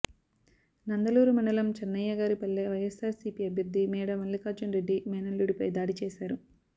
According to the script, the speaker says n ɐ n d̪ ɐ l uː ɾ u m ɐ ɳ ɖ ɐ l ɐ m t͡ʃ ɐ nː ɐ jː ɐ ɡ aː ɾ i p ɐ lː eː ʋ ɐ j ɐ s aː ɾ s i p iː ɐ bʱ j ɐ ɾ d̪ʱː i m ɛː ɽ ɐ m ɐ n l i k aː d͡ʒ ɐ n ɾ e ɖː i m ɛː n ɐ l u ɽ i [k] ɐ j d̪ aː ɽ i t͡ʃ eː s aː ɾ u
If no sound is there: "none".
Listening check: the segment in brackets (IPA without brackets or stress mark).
p